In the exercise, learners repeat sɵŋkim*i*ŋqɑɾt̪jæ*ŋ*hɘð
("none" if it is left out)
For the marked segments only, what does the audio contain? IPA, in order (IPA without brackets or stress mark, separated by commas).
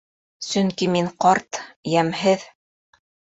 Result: i, m